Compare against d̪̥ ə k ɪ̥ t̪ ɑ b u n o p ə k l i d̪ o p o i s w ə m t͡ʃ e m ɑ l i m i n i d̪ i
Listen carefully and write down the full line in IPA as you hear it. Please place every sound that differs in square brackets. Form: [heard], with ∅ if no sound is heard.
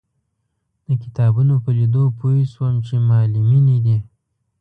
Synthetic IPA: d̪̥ ə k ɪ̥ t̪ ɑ b u n o p ə [∅] l i d̪ o p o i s w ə m t͡ʃ e m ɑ l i m i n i d̪ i